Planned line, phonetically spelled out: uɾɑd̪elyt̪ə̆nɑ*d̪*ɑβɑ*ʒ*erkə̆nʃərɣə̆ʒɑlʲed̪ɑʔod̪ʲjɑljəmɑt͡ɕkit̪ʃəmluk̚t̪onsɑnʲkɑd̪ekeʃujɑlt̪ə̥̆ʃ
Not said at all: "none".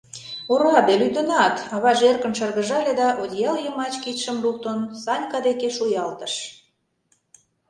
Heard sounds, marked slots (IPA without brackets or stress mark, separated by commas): t̪, ʒ